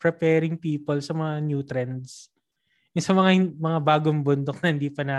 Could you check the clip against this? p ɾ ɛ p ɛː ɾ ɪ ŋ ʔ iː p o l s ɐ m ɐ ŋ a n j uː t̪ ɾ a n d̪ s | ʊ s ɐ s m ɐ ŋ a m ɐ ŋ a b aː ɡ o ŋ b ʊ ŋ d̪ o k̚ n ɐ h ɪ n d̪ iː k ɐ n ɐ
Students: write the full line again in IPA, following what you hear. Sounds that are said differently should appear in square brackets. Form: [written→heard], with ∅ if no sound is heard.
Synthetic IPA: p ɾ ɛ p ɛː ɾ ɪ ŋ [ʔ→p] iː p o l s ɐ m ɐ ŋ a n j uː t̪ ɾ [a→ɛ] n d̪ s | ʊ s ɐ [s→∅] m ɐ ŋ a m ɐ ŋ a b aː ɡ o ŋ b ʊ [ŋ→n] d̪ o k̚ n ɐ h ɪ n d̪ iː [k→p] ɐ n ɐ